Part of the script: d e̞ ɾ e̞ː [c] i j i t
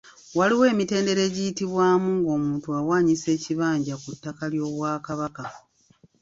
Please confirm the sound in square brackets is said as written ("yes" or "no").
no